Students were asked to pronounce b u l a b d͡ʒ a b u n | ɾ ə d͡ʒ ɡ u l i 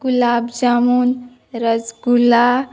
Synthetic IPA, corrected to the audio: ɡ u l a b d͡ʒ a m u n | ɾ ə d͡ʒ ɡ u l a